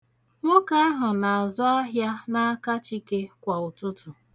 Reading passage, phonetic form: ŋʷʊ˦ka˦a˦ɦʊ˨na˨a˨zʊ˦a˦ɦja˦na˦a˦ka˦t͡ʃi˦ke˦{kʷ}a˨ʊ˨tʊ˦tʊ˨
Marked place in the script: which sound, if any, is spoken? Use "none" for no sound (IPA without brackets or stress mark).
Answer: kʷ